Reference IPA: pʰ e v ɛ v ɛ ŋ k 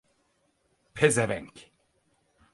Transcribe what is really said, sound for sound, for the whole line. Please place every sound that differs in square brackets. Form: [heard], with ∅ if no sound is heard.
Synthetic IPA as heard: pʰ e [z] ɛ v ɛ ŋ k